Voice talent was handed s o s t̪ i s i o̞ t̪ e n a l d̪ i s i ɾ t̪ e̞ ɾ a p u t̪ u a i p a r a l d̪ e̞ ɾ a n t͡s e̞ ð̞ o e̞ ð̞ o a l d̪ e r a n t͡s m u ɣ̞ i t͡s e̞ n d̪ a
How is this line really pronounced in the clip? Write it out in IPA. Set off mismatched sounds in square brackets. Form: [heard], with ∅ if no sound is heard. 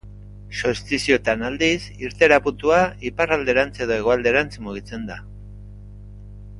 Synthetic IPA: s o s t̪ i s i o̞ t̪ [a] n a l d̪ i s i ɾ t̪ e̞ ɾ a p u t̪ u a i p a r a l d̪ e̞ ɾ a n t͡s e̞ ð̞ o e̞ [ɣ̞] o a l d̪ e [ɾ] a n t͡s m u ɣ̞ i t͡s e̞ n d̪ a